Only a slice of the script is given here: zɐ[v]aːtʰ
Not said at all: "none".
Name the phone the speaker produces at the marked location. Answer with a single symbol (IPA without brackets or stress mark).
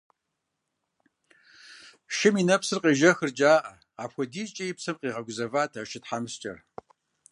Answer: v